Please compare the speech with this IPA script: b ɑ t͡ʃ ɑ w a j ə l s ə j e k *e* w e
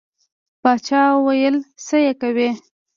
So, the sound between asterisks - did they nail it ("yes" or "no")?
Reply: no